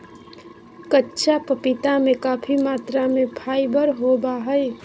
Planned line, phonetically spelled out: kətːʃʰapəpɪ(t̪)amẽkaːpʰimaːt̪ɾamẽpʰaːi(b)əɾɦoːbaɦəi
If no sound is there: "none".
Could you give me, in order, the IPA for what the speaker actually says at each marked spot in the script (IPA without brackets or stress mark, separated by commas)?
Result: t̪, b